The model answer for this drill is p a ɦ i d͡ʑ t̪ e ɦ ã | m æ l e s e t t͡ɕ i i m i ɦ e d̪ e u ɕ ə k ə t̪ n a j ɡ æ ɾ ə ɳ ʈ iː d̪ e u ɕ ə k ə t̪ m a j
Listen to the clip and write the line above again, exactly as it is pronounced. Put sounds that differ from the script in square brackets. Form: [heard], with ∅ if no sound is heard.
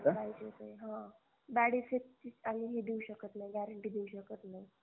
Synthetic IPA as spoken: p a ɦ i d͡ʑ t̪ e ɦ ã | [b] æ [ɽ] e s e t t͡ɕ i [a] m i ɦ e d̪ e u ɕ ə k ə t̪ n a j ɡ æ ɾ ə ɳ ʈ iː d̪ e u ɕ ə k ə t̪ [n] a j